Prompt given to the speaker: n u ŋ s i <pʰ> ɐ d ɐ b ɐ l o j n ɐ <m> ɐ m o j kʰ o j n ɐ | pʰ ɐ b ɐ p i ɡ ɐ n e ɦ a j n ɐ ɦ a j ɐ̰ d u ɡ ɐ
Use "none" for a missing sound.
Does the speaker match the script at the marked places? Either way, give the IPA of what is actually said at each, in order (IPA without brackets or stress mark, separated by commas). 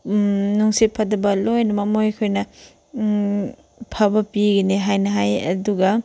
pʰ, m